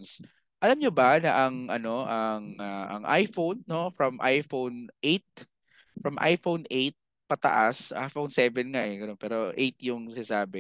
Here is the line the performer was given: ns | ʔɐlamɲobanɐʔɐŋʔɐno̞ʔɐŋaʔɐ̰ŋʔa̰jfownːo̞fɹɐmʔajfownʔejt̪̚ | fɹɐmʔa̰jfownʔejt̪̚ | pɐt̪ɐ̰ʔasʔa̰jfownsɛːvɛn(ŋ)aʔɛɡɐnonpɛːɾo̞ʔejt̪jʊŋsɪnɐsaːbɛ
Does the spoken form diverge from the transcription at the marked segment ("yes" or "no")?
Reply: no